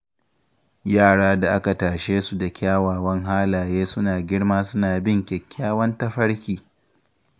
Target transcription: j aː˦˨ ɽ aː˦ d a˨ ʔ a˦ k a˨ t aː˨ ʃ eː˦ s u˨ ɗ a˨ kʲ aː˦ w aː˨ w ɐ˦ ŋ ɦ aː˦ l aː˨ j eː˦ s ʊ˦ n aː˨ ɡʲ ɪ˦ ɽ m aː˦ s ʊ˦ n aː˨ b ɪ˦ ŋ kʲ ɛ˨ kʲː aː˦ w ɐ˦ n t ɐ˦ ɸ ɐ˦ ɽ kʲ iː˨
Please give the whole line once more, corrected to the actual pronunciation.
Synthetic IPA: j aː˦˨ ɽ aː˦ d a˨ ʔ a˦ k a˨ t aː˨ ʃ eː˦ s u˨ d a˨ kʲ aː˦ w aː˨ w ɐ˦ ŋ ɦ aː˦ l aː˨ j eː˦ s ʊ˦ n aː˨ ɡʲ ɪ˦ ɽ m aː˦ s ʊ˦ n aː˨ b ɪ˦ ŋ kʲ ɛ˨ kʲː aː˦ w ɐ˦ n t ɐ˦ ɸ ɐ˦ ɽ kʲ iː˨